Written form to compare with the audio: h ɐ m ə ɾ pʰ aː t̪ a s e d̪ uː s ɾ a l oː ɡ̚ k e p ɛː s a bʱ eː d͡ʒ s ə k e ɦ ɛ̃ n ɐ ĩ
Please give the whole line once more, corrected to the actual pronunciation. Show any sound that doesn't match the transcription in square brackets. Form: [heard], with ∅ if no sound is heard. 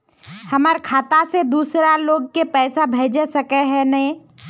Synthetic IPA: h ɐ m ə ɾ [kʰ] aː t̪ a s e d̪ uː s ɾ a l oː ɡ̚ k e p ɛː s a bʱ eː d͡ʒ s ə k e ɦ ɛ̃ n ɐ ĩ

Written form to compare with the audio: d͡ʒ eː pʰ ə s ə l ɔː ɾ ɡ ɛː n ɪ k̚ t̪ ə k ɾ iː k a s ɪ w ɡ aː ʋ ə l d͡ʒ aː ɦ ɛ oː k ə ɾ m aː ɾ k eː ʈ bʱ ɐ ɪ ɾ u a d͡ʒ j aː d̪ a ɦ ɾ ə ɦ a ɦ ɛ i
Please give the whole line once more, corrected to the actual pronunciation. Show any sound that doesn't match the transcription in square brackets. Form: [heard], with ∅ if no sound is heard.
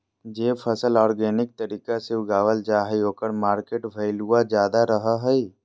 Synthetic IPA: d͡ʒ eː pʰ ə s ə l ɔː ɾ ɡ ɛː n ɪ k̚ t̪ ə [∅] ɾ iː k a s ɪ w ɡ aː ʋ ə l d͡ʒ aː ɦ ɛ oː k ə ɾ m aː ɾ k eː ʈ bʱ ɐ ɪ [l] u a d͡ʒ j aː d̪ a [∅] ɾ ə ɦ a ɦ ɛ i

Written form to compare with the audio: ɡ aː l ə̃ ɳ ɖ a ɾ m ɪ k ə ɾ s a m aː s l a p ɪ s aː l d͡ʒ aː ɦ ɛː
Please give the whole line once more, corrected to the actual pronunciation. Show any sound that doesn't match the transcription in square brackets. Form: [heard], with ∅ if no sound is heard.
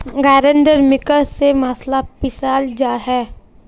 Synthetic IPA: ɡ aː [ɾ] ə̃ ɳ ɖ [ə] ɾ m ɪ k ə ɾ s [e] m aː s l a p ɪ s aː l d͡ʒ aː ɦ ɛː

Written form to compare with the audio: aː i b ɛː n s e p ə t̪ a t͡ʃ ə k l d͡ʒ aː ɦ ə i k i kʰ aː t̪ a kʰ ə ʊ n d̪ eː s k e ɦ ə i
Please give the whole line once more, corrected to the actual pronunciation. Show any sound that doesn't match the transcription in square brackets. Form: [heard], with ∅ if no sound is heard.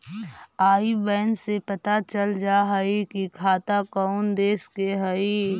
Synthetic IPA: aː i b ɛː n s e p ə t̪ a t͡ʃ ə [∅] l d͡ʒ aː ɦ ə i k i kʰ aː t̪ a [k] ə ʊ n d̪ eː s k e ɦ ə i

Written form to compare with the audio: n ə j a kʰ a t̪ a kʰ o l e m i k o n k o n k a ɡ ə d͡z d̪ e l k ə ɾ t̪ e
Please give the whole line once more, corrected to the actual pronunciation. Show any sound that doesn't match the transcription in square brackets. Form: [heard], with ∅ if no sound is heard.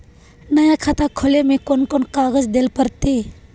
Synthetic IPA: n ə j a kʰ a t̪ a kʰ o l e m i k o n k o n k a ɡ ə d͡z d̪ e l [p] ə ɾ t̪ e

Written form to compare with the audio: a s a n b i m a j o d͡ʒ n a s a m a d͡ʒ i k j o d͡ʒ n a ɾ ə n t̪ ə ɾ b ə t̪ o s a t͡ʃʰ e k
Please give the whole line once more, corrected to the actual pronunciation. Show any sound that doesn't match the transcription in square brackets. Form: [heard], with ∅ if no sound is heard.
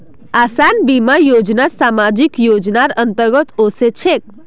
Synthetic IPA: a s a n b i m a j o d͡ʒ n a s a m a d͡ʒ i k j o d͡ʒ n a ɾ ə n t̪ ə ɾ [ɡ] ə t̪ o s [e] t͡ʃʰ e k

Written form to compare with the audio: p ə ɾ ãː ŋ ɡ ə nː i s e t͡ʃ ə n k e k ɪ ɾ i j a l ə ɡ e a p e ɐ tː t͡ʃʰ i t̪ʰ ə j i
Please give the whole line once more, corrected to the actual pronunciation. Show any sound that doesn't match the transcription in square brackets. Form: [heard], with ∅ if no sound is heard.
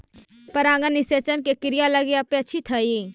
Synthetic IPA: p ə ɾ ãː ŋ ɡ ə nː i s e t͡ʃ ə n k e k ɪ ɾ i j a l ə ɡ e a p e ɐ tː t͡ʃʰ i t̪ʰ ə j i

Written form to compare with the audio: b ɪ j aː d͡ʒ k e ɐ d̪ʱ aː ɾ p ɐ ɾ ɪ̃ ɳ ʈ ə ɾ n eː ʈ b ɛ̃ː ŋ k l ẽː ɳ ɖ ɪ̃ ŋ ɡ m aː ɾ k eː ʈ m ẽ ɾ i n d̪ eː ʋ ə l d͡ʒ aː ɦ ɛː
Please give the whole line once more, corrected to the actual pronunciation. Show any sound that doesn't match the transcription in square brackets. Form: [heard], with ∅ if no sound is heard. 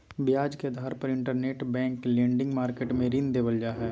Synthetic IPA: b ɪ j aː d͡ʒ k e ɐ d̪ʱ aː ɾ p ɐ ɾ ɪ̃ ɳ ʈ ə ɾ n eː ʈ b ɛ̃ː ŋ k l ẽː ɳ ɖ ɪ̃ ŋ ɡ m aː ɾ k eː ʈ m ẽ ɾ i n d̪ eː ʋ ə l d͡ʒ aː ɦ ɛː

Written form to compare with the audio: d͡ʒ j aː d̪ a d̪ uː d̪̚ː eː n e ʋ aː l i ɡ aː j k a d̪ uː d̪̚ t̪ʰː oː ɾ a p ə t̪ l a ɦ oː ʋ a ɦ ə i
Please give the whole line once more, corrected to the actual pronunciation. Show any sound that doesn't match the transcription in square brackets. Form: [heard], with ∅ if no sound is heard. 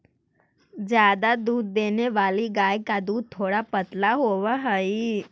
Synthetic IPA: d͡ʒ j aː d̪ a d̪ uː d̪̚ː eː n e ʋ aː l i ɡ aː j k a d̪ uː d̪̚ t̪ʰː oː [ɽ] a p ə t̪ l a ɦ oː ʋ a ɦ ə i

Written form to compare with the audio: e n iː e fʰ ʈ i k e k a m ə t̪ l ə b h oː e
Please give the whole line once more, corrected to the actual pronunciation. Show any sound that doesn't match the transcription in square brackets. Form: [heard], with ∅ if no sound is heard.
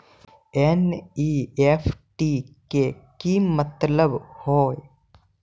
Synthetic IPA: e n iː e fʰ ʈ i k e k [i] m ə t̪ l ə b h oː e

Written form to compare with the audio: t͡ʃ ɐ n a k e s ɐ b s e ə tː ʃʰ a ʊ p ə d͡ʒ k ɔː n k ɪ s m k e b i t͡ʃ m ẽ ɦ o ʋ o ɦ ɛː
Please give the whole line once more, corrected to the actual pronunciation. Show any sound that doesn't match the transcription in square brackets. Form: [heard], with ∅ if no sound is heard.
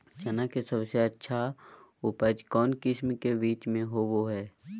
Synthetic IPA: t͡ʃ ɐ n a k e s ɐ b s e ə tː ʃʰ a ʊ p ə d͡ʒ k ɔː n k ɪ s m k e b [iː] t͡ʃ m ẽ ɦ o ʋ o ɦ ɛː

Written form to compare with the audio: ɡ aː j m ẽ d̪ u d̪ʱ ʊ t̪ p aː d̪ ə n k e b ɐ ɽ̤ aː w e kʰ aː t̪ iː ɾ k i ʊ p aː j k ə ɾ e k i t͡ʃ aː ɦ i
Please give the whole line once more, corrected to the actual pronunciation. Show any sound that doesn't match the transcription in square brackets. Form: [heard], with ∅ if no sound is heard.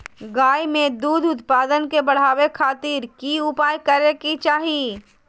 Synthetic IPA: ɡ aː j m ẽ d̪ [uː] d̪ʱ ʊ t̪ p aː d̪ ə n k e b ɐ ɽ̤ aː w e kʰ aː t̪ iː ɾ k i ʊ p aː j k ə ɾ e k i t͡ʃ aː ɦ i

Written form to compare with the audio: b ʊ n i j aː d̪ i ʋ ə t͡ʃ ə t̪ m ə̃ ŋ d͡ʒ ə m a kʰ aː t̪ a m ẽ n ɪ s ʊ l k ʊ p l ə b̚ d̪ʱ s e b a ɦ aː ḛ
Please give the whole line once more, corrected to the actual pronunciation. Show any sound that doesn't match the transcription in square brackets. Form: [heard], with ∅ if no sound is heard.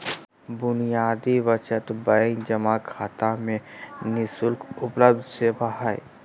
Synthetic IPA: b ʊ n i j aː d̪ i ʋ ə t͡ʃ ə t̪ [b] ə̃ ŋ d͡ʒ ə m a kʰ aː t̪ a m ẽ n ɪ s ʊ l k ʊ p l ə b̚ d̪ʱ s e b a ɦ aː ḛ

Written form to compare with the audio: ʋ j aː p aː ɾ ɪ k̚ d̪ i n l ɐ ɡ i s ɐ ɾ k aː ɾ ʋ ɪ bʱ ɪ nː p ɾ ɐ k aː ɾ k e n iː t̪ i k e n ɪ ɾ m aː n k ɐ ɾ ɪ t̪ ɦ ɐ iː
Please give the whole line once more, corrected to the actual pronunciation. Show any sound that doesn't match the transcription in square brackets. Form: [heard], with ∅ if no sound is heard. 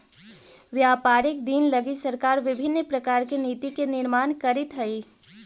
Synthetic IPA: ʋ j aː p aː ɾ ɪ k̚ d̪ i n l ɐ ɡ i s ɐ ɾ k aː ɾ ʋ ɪ bʱ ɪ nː p ɾ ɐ k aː ɾ k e n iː t̪ i k e n ɪ ɾ m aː n k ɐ ɾ ɪ t̪ ɦ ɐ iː

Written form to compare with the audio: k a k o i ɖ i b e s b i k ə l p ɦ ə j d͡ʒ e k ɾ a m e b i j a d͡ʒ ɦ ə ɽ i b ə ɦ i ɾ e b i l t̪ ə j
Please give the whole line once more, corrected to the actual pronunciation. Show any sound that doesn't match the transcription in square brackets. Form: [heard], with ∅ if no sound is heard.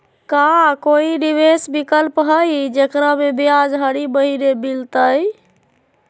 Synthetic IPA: k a k o i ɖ i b e s b i k ə l p ɦ ə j d͡ʒ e k ɾ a m e b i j a d͡ʒ ɦ ə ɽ i b ə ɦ i ɾ e b i l t̪ ə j

